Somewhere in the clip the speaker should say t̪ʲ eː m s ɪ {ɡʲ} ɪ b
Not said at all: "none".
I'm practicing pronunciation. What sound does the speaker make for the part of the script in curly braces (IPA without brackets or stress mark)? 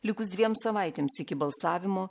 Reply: kʲ